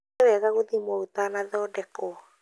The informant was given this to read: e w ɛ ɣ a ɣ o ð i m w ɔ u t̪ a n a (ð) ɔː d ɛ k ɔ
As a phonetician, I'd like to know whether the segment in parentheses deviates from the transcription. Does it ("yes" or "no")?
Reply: no